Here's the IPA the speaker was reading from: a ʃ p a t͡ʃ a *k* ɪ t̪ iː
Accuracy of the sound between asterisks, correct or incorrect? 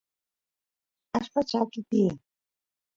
correct